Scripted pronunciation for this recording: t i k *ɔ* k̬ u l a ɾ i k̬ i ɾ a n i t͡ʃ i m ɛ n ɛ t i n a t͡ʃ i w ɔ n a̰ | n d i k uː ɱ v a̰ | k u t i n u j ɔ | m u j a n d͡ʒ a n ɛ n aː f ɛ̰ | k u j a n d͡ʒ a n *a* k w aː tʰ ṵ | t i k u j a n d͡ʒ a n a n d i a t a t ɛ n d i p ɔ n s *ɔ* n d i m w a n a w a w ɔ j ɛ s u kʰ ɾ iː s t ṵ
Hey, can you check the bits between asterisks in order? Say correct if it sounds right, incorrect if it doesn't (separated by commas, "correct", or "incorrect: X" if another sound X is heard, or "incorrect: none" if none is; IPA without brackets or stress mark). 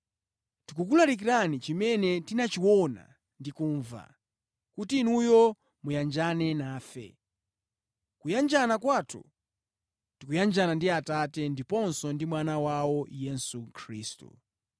incorrect: u, correct, correct